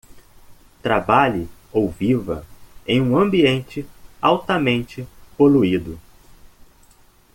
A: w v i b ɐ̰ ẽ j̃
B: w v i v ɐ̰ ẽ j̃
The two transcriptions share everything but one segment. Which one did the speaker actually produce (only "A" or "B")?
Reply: B